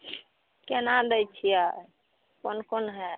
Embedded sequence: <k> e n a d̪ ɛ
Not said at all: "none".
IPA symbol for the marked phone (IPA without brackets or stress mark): k